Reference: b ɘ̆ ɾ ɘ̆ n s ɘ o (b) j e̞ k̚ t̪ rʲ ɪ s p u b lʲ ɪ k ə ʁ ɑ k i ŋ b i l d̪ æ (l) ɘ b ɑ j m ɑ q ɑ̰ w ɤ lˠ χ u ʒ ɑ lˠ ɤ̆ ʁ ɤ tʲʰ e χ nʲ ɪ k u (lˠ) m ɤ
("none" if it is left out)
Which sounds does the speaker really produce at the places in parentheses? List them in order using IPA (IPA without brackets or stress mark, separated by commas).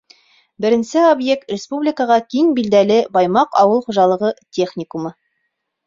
b, l, none